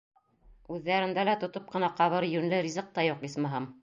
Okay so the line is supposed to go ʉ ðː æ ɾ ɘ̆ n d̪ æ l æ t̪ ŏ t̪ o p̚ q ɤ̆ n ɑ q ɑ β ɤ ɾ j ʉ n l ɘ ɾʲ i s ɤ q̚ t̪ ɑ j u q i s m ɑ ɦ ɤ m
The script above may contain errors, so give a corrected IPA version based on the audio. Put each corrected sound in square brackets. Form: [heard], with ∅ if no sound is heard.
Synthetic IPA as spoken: ʉ ðː æ ɾ ɘ̆ n d̪ æ l æ t̪ ŏ t̪ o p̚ q ɤ̆ n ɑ q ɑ β ɤ ɾ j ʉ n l ɘ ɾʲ i [z] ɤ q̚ t̪ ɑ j u q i s m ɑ ɦ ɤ m